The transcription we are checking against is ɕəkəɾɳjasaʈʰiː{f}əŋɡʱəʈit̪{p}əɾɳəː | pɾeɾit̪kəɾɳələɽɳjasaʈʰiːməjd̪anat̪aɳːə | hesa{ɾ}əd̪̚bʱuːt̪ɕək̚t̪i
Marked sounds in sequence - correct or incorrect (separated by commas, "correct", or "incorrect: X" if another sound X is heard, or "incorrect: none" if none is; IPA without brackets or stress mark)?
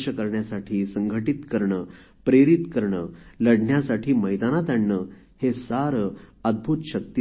incorrect: s, incorrect: k, correct